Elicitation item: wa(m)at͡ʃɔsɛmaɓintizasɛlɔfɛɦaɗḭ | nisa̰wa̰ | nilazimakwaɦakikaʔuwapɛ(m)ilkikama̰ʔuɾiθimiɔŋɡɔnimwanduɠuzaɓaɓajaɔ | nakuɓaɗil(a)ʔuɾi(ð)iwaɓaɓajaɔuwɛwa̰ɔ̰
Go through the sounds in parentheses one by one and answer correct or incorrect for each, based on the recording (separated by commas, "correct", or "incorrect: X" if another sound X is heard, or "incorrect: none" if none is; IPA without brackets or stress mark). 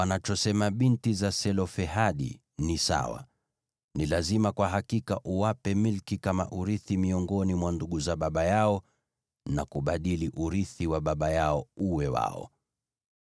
incorrect: n, correct, incorrect: i, incorrect: θ